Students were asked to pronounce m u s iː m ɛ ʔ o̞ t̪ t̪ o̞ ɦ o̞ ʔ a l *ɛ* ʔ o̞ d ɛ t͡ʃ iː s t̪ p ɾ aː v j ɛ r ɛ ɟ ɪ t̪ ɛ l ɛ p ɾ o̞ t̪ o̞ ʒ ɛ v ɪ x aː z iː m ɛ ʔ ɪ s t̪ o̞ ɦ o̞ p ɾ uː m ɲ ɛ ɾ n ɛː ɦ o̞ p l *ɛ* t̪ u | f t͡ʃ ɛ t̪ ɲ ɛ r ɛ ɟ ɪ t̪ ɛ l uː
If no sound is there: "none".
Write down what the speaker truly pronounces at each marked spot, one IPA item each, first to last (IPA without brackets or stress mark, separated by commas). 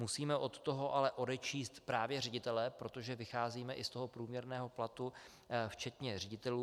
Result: ɛ, a